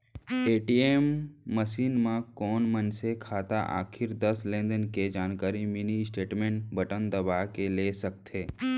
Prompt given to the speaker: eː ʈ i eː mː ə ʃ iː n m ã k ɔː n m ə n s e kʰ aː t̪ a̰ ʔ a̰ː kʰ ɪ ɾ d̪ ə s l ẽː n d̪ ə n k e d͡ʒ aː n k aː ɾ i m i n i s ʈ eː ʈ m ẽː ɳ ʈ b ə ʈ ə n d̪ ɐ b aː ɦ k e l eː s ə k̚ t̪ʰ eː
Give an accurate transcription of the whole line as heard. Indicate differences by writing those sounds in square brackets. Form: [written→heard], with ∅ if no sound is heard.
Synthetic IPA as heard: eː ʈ i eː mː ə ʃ iː n m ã k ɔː n m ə n s e kʰ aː t̪ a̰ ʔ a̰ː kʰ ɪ ɾ d̪ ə s l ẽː n d̪ ə n k e d͡ʒ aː n k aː ɾ i m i n i s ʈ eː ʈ m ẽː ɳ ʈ b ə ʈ ə n d̪ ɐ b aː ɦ k e l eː s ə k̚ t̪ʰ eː